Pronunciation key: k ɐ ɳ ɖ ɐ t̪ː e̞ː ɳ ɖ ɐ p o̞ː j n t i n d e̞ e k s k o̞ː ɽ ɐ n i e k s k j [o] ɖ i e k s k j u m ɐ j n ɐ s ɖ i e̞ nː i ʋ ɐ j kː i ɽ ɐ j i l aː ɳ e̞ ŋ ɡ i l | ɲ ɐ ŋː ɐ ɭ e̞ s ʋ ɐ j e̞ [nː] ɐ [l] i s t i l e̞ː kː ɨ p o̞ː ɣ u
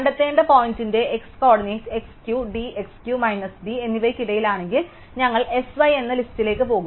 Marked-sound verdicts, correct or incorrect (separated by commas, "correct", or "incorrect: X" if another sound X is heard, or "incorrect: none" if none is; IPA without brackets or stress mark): incorrect: u, correct, correct